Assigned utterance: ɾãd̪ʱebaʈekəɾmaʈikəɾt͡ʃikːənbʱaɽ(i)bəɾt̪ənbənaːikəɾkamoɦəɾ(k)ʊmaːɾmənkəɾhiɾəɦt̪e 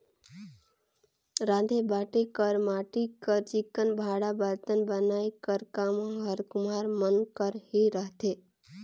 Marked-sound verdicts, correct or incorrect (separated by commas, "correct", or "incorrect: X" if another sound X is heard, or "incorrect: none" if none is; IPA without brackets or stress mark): incorrect: a, correct